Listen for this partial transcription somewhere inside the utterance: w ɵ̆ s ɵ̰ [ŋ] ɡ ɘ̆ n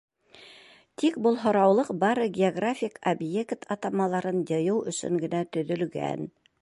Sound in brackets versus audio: correct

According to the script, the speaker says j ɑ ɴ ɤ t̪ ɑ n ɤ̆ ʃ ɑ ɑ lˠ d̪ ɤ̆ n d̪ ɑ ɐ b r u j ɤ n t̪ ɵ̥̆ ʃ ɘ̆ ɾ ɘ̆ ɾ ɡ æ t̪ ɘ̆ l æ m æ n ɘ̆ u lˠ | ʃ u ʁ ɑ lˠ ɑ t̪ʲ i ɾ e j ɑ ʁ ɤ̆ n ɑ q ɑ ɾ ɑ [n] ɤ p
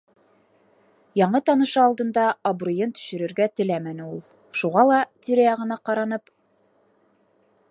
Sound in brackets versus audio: correct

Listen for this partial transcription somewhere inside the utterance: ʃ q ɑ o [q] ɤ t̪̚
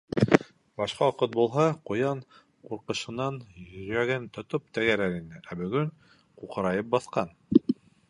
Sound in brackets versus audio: correct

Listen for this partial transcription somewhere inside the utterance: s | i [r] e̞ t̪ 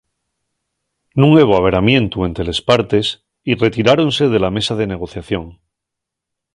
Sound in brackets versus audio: correct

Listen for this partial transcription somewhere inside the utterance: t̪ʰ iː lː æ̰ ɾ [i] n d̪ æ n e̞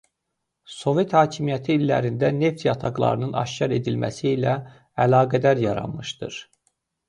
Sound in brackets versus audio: correct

